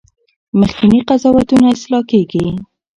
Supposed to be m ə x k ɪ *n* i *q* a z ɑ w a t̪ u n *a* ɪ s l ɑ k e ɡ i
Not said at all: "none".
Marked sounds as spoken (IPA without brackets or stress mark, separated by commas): n, q, a